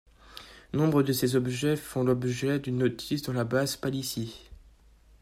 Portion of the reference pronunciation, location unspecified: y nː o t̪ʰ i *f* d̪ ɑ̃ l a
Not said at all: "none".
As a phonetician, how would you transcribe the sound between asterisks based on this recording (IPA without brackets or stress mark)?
s